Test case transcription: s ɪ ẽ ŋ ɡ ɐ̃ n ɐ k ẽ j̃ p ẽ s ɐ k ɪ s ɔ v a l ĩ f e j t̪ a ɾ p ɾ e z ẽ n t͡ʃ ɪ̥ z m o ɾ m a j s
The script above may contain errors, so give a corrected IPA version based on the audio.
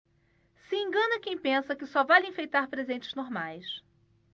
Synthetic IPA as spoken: s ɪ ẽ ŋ ɡ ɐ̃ n ɐ k ẽ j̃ p ẽ s ɐ k ɪ s ɔ v a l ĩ f e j t̪ a ɾ p ɾ e z ẽ n t͡ʃ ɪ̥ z n o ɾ m a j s